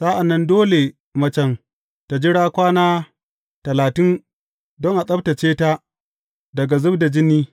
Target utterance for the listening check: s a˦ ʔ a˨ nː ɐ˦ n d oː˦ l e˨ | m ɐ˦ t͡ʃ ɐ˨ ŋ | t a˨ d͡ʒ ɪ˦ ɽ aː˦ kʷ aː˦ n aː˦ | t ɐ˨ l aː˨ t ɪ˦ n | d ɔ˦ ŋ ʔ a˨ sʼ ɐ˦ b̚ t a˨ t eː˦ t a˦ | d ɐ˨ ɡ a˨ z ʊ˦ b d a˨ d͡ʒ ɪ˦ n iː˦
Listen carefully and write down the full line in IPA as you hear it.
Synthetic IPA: s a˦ ʔ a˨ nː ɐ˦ n d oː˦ l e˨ | m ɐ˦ t͡ʃ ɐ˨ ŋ | t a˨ d͡ʒ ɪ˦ ɽ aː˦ kʷ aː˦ n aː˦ | t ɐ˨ l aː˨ t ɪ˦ n | d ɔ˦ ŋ ʔ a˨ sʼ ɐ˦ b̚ t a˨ t͡ʃ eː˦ t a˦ | d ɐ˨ ɡ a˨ z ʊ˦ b d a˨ d͡ʒ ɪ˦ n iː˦